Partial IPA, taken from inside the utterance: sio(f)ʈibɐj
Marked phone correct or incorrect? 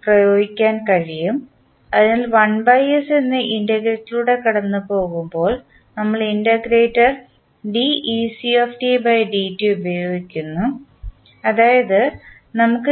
correct